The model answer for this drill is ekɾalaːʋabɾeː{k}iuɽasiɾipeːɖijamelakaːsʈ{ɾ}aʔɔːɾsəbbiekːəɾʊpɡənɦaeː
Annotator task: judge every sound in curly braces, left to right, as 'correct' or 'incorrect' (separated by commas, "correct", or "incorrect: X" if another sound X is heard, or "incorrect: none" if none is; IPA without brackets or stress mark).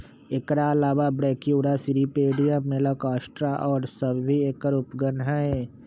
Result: correct, correct